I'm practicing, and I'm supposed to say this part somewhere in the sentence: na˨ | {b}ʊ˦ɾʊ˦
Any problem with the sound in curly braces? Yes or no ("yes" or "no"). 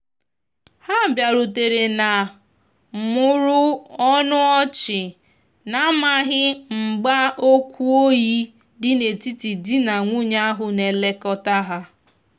yes